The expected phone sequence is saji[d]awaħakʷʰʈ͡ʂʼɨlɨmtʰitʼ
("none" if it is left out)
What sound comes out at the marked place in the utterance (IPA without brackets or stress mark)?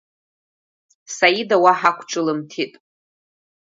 d